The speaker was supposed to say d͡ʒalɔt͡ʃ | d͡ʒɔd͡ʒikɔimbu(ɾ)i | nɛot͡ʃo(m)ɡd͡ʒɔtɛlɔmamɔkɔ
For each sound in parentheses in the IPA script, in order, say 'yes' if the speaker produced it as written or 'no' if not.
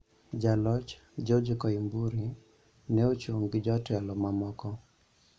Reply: yes, no

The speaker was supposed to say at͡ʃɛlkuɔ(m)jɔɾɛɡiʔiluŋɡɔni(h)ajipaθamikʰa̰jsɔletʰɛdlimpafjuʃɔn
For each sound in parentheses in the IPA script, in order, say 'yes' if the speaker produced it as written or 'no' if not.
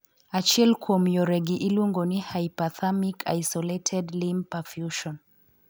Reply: yes, yes

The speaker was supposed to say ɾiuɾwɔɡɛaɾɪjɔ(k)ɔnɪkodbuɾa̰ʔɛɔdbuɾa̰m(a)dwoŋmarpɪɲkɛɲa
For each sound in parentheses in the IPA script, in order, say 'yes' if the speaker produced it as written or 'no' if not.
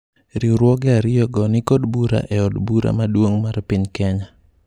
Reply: no, yes

